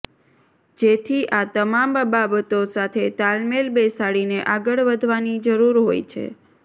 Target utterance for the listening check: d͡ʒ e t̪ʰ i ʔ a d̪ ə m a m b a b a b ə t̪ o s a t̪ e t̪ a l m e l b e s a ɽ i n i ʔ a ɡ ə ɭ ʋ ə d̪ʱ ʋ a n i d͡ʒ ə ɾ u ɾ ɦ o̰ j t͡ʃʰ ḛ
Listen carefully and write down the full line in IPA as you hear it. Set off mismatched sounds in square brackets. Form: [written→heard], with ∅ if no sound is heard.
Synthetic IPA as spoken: d͡ʒ e t̪ʰ i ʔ a [d̪→t̪] ə m a m b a b a b ə t̪ o s a [t̪→t̪ʰ] e t̪ a l m e l b e s a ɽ i n [i→e] ʔ a ɡ ə ɭ ʋ ə d̪ʱ ʋ a n i d͡ʒ ə ɾ u ɾ ɦ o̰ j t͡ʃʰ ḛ